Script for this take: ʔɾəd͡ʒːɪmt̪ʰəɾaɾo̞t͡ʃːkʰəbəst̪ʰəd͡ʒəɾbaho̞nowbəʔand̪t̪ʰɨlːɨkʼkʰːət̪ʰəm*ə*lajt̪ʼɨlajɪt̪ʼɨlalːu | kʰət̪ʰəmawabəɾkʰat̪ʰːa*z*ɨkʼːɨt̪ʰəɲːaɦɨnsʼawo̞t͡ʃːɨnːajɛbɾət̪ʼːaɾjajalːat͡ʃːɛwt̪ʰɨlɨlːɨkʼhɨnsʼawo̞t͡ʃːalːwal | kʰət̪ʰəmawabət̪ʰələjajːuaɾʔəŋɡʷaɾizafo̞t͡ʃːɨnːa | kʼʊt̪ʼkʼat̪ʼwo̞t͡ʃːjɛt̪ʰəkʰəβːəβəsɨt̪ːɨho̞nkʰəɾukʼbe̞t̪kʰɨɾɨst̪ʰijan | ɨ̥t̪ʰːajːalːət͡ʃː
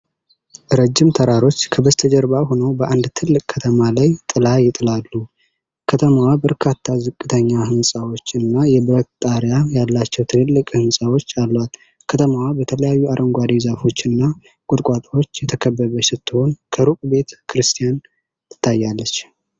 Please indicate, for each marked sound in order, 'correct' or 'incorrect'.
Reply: incorrect, correct

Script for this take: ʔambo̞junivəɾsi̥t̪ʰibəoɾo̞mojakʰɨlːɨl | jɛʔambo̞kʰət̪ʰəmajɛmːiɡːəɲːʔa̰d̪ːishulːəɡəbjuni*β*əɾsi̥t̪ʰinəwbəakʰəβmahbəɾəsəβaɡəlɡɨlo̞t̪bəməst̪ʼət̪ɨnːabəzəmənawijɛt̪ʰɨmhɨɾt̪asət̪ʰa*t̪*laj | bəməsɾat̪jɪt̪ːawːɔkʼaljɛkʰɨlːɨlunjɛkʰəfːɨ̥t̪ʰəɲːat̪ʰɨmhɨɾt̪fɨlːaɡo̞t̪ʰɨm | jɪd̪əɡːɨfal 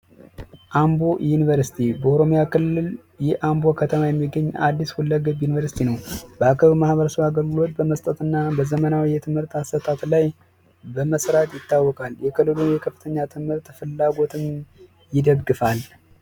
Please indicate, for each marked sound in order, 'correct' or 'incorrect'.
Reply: incorrect, correct

